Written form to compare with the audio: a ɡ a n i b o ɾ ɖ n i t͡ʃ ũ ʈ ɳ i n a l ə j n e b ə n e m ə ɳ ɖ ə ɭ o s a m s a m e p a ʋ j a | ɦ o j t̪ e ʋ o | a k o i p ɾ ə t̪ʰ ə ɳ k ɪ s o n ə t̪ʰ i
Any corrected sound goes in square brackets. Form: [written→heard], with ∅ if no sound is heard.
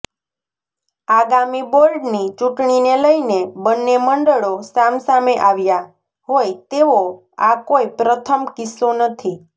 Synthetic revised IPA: a ɡ a [n→m] i b o ɾ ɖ n i t͡ʃ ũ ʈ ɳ i n [a→e] l ə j n e b ə [n→nː] e m ə ɳ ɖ ə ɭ o s a m s a m e [p→ʔ] a ʋ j a | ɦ o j t̪ e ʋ o | a k o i p ɾ ə t̪ʰ ə [ɳ→m] k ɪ s o n ə t̪ʰ i